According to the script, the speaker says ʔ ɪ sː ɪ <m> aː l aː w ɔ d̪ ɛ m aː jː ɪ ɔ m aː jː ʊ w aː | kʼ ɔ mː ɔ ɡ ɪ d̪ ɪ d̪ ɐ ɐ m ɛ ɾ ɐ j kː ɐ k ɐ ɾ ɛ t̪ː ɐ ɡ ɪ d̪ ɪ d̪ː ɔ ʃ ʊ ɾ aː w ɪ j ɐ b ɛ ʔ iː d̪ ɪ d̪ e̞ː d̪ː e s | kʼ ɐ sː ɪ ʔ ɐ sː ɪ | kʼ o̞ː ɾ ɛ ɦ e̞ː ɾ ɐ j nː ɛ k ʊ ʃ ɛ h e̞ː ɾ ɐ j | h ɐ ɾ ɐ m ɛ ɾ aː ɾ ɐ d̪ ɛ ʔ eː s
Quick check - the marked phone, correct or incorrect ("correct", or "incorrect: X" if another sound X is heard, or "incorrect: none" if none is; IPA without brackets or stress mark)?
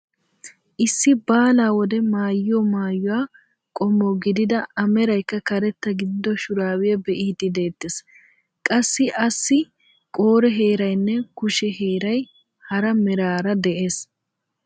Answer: incorrect: b